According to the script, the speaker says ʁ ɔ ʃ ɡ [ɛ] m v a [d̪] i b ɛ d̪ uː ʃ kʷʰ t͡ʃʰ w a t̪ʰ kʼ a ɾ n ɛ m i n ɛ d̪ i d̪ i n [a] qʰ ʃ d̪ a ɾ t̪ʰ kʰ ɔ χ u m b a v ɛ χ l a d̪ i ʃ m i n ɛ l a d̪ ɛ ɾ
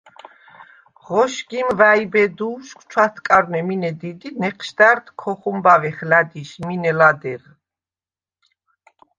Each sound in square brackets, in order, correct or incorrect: incorrect: i, incorrect: none, incorrect: ɛ

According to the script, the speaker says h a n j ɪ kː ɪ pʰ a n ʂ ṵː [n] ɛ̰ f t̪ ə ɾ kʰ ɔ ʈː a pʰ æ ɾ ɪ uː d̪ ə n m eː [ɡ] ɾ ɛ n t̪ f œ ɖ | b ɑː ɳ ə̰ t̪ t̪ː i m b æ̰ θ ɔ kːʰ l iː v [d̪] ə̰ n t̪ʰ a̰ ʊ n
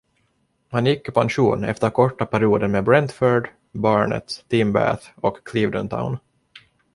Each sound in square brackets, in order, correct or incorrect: correct, incorrect: b, correct

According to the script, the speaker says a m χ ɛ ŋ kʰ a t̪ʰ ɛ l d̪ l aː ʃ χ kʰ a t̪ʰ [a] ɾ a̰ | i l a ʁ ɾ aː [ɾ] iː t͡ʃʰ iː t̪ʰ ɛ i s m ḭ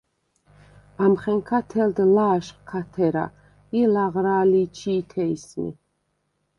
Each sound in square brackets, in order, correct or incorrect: incorrect: ɛ, incorrect: l

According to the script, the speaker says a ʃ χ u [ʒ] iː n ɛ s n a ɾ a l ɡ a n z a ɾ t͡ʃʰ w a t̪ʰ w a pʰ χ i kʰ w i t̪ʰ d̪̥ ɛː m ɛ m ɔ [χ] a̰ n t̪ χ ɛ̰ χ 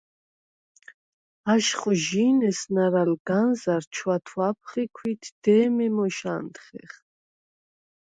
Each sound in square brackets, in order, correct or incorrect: correct, incorrect: ʃ

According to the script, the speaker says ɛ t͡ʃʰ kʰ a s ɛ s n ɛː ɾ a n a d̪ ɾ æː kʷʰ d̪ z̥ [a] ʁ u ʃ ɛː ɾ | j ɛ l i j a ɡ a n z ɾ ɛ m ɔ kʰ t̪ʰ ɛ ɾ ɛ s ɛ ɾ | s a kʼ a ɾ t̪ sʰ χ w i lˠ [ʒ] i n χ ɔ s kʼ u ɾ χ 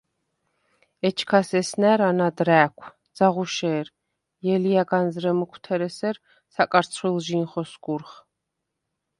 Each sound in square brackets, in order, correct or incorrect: correct, correct

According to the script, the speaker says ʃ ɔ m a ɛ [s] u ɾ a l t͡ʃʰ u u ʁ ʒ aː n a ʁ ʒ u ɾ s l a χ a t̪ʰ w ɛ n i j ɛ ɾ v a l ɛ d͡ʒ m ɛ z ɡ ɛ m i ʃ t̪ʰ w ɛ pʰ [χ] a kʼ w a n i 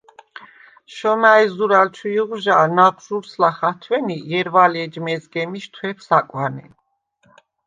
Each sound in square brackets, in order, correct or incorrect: incorrect: z, incorrect: s

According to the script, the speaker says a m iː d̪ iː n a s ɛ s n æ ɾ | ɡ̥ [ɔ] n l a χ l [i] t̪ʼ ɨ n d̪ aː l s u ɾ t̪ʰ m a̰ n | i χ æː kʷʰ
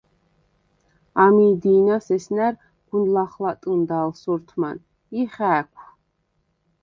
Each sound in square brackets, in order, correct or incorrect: incorrect: u, incorrect: a

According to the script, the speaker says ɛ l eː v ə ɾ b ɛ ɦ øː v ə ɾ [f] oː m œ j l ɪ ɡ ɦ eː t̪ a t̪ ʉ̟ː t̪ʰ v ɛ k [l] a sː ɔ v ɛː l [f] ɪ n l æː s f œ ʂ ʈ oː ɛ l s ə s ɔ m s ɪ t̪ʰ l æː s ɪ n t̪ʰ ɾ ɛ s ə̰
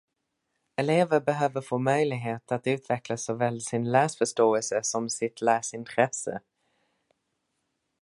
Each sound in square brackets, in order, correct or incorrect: correct, correct, incorrect: s

